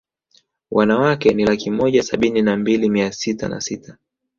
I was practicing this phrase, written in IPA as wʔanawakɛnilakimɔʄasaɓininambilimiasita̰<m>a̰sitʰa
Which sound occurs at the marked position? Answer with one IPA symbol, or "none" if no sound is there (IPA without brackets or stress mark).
n